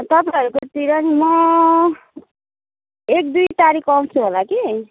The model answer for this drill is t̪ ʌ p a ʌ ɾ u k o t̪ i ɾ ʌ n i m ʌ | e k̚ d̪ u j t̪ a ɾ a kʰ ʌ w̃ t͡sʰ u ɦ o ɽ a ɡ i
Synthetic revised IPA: t̪ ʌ p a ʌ ɾ u k o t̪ i ɾ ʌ n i m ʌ | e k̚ d̪ u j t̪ a ɾ i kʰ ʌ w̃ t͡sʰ u ɦ o l a k i

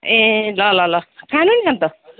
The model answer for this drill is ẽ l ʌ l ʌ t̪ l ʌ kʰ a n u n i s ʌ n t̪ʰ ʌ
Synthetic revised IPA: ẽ l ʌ l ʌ l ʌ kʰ a n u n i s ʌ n t̪ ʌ

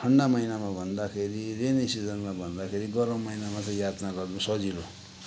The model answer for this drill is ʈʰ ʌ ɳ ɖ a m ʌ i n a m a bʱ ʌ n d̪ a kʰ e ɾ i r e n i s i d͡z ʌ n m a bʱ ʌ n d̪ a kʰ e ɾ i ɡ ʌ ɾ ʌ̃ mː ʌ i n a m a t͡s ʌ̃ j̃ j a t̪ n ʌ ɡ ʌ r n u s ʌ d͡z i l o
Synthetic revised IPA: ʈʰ ʌ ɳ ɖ a m ʌ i n a m a bʱ ʌ n d̪ a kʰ e ɾ i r e n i s i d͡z ʌ n m a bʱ ʌ n d̪ a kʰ e ɾ i ɡ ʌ ɾ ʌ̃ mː ʌ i n a m a t͡s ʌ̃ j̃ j a t̪ n a ɡ ʌ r n u s ʌ d͡z i l o

